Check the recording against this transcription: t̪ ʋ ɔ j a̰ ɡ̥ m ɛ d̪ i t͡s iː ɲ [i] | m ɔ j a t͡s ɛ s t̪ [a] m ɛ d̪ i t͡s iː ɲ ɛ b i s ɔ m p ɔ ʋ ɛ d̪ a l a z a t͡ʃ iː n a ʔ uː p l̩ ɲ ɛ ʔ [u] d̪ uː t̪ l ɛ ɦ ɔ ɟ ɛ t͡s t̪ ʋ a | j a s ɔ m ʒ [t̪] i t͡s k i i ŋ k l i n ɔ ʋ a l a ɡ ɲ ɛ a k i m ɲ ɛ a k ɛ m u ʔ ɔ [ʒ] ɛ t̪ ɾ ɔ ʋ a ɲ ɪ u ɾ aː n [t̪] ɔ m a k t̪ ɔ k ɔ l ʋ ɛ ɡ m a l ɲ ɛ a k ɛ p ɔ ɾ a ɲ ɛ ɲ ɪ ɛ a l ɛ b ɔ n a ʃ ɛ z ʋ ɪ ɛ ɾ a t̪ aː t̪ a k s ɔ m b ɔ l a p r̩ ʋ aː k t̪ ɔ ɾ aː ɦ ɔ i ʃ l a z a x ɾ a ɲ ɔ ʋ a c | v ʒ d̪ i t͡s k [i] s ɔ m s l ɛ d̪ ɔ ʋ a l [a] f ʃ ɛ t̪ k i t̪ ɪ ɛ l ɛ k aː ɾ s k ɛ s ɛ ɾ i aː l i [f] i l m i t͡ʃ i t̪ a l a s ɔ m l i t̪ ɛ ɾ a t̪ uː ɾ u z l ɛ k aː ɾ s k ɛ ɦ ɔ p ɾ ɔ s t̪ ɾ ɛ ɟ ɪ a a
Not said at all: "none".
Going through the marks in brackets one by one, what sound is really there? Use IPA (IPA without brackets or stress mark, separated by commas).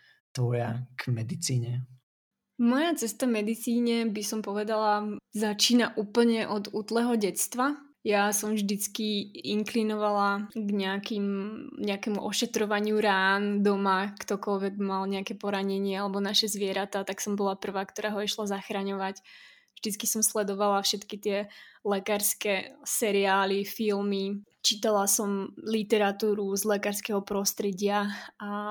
ɛ, a, ɔ, d̪, ʃ, d̪, i, a, f